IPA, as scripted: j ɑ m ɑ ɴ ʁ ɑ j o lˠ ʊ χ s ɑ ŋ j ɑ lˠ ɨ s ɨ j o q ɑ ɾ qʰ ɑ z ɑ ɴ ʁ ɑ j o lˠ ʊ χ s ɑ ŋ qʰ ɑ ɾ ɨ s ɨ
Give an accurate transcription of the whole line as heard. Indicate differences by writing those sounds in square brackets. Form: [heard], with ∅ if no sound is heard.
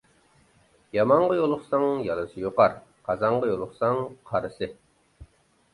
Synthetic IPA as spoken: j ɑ m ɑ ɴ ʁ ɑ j o lˠ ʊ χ s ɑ ŋ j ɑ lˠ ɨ s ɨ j o q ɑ ɾ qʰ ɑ z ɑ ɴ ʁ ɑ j o lˠ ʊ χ s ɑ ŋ qʰ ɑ ɾ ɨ s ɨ